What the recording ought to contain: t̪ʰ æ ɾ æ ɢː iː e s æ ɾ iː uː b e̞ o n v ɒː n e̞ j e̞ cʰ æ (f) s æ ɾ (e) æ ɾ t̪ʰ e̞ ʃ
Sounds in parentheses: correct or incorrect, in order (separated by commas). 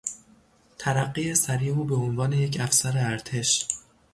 correct, correct